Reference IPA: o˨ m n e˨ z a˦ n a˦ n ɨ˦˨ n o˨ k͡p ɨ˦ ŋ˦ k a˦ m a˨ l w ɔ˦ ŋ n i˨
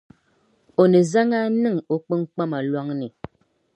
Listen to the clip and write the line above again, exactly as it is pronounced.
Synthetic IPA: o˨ n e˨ z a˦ ŋ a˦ n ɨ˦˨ ŋ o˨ k͡p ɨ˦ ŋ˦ k͡p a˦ m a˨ l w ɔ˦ ŋ n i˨